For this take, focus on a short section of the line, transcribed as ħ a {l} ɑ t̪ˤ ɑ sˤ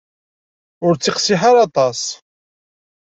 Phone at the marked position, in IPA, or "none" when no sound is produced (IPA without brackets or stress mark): ɾ